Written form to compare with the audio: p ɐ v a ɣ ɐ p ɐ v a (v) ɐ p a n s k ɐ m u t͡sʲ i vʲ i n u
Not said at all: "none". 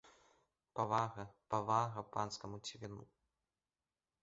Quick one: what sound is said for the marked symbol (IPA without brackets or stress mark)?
ɣ